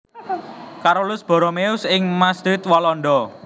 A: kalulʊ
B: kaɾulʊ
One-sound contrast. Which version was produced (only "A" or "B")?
B